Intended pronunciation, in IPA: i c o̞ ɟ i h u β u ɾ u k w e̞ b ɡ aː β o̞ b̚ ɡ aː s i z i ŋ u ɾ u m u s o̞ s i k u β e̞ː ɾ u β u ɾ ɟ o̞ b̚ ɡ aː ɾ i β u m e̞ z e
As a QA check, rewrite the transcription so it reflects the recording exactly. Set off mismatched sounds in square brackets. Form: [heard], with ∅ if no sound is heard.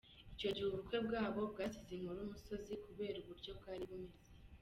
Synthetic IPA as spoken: i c o̞ ɟ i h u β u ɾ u k w e̞ b ɡ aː β o̞ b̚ ɡ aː s i z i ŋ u ɾ u m u s o̞ [z] i k u β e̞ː ɾ u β u ɾ ɟ o̞ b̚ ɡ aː ɾ i β u m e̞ z e

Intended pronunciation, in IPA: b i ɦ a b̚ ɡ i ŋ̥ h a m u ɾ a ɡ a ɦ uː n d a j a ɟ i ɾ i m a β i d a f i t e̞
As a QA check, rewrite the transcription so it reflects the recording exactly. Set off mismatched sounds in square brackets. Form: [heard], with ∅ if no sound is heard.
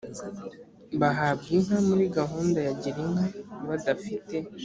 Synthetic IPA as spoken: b [a] ɦ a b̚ ɡ i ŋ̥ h a m u ɾ [i] ɡ a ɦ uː n d a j a ɟ i ɾ i [ŋ] a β [a] d a f i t e̞

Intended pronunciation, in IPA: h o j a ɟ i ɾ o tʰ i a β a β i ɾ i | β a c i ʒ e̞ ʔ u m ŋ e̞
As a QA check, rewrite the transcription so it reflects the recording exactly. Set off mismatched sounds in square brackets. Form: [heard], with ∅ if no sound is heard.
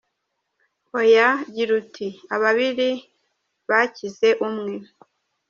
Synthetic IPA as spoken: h o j a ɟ i ɾ [u] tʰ i a β a β i ɾ i | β a c i [z] e̞ ʔ u m ŋ e̞

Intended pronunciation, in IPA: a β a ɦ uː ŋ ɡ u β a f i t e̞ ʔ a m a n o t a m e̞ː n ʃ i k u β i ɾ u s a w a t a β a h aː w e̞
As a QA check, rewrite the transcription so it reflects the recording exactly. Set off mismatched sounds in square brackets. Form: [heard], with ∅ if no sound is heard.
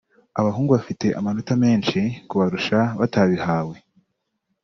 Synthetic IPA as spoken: a β a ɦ uː ŋ ɡ u β a f i t e̞ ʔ a m a n o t a m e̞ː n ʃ i k u β [a] ɾ u [ʃ] a [β] a t a β [i] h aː w e̞

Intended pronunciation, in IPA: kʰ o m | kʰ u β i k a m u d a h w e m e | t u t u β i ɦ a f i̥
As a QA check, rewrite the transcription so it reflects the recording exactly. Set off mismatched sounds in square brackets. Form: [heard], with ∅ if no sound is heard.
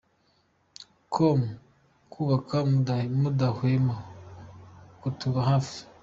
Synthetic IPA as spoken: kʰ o m | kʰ u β [a] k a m u d a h w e m [a] | [k] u t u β [a] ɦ a f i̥

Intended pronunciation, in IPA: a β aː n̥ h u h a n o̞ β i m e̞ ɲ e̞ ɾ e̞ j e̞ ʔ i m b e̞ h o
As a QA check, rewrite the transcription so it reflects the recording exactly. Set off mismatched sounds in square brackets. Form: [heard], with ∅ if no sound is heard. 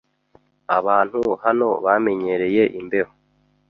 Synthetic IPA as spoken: a β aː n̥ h u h a n o̞ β [a] m e̞ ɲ e̞ ɾ e̞ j e̞ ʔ i m b e̞ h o

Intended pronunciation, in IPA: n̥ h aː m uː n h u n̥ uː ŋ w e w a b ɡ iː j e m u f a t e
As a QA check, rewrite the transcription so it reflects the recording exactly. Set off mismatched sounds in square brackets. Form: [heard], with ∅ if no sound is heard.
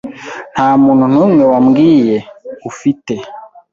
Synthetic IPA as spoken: n̥ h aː m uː n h u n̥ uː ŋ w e w a [m] ɡ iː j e [∅] u f [i] t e

